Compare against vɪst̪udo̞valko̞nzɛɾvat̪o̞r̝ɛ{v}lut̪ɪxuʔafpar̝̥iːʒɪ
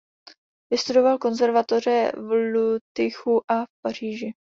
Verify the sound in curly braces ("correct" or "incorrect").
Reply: correct